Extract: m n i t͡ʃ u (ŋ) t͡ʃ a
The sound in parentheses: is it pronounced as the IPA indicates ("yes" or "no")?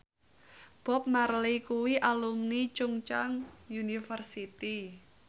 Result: yes